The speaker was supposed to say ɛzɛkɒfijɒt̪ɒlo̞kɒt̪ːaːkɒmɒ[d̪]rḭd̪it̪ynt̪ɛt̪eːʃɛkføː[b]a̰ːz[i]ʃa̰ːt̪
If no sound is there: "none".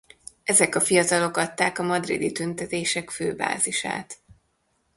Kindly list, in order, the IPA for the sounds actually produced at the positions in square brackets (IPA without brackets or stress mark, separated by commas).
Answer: d̪, b, i